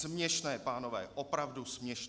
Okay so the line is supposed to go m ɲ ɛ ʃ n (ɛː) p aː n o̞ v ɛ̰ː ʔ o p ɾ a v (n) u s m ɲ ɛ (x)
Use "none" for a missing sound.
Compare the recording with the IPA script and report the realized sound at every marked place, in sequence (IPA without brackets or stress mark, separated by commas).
ɛː, d, ʃ